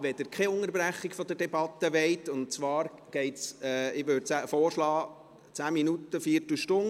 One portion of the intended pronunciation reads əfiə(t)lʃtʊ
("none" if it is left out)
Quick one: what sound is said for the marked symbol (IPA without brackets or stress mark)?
t